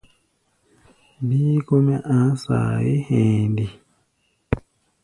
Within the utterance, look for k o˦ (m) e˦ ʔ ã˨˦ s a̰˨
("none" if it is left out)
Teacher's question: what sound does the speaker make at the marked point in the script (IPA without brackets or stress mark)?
m